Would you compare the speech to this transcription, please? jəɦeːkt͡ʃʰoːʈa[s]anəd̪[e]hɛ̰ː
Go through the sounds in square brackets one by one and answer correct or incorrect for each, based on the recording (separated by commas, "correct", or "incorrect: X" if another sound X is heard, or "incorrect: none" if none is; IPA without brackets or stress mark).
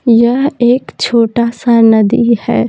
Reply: correct, incorrect: i